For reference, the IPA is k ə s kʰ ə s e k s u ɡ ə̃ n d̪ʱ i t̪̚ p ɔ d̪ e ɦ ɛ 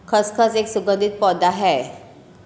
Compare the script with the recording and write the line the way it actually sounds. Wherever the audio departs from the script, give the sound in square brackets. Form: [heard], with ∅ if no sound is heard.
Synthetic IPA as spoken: [kʰ] ə s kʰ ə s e k s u ɡ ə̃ n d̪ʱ i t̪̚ p ɔ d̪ [a] ɦ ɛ